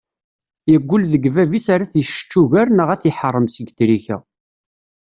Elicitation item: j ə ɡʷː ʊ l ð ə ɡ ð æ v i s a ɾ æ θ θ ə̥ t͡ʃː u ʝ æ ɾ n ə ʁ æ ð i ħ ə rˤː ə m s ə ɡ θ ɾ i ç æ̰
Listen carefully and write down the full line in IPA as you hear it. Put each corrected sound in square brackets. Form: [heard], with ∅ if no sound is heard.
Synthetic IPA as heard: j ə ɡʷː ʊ l ð ə ɡ [v] æ v i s a ɾ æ θ [ʃ] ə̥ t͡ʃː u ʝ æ ɾ n ə ʁ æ [θ] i ħ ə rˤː ə m s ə ɡ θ ɾ i ç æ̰